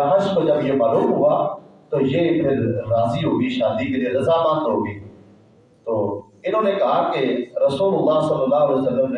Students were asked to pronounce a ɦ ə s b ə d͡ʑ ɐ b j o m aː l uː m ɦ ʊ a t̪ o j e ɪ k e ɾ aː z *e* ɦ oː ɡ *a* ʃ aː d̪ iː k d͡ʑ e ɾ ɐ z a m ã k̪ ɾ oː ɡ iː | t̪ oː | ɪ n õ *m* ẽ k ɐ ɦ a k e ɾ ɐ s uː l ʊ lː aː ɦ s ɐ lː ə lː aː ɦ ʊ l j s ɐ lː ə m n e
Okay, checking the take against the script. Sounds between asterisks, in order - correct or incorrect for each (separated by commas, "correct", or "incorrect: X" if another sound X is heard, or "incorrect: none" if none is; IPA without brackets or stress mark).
incorrect: i, incorrect: i, incorrect: n